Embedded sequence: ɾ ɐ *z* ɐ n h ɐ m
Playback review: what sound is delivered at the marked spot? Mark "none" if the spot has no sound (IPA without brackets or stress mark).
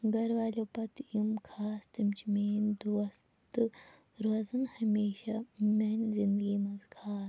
z